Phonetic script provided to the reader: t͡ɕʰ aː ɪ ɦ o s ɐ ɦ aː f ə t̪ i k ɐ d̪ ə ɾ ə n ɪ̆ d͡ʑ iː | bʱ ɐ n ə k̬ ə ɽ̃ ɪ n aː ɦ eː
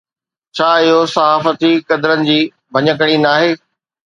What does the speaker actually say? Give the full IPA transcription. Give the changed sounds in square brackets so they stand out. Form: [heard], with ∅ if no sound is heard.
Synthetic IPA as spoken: t͡ɕʰ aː ɪ ɦ o s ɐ ɦ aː f ə t̪ i k ɐ d̪ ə ɾ ə n ɪ̆ d͡ʑ iː | bʱ ɐ [ɲ] ə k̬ ə ɽ̃ [i] n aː ɦ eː